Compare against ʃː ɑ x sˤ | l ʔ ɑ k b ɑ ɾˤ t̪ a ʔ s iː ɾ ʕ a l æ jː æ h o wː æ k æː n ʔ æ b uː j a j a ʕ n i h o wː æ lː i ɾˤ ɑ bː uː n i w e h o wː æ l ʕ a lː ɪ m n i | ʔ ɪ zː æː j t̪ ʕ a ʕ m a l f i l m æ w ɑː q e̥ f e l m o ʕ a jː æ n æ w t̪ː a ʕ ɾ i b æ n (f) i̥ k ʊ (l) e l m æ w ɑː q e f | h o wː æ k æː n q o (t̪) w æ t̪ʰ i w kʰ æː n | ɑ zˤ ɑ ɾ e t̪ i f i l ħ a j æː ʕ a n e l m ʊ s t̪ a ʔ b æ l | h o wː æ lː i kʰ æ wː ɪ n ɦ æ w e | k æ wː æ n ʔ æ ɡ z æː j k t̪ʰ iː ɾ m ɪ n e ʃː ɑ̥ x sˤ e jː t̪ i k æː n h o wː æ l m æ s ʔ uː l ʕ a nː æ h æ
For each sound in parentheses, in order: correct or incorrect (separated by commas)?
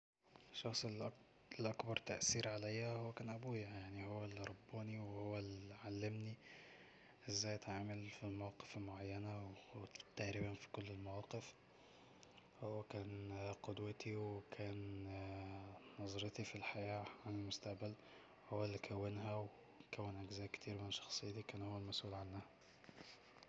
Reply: correct, incorrect, incorrect